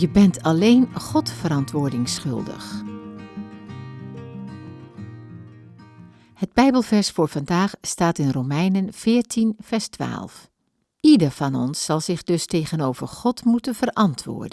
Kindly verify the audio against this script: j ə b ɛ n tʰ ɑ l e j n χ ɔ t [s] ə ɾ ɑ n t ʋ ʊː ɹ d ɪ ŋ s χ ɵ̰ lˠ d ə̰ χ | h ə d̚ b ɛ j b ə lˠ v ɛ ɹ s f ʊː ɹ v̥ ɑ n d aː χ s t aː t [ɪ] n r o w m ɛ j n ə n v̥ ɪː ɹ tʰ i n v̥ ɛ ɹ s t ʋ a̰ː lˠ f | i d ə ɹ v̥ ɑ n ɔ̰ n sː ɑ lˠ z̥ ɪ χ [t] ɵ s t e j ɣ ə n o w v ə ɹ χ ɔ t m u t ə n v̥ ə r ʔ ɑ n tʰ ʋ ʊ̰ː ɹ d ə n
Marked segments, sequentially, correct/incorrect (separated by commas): incorrect, correct, incorrect